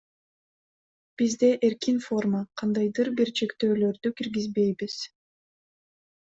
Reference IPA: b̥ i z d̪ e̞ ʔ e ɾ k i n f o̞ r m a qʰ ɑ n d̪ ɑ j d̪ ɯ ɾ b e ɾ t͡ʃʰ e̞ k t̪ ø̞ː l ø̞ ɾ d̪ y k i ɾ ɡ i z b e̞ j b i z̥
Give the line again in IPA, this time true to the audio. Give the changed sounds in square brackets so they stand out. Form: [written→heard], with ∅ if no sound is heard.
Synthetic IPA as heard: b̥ i z d̪ e̞ ʔ e ɾ k i n f o̞ r m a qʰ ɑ n d̪ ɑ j d̪ ɯ ɾ b [e→i] ɾ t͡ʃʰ e̞ k t̪ ø̞ː l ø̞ ɾ d̪ y k i ɾ ɡ i z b e̞ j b i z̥